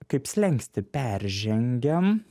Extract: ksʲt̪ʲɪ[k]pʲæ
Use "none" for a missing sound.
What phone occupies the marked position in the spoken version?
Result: none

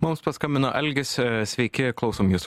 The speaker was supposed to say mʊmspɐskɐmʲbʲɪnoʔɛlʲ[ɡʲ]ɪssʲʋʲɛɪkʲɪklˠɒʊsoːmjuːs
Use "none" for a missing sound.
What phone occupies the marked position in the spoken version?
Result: ɡʲ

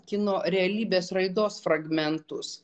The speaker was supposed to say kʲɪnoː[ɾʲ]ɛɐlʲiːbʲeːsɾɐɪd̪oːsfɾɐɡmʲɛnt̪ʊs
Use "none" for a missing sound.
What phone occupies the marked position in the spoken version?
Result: ɾʲ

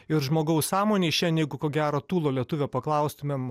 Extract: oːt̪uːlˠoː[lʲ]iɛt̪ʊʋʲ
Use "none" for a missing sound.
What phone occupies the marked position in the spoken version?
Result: lʲ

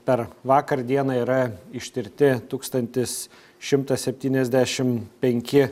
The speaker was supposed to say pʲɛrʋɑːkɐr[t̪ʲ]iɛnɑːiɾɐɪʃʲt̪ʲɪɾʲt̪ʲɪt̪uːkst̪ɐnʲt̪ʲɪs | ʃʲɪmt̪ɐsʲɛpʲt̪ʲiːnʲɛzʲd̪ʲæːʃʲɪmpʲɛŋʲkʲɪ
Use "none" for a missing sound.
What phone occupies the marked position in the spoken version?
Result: d̪ʲ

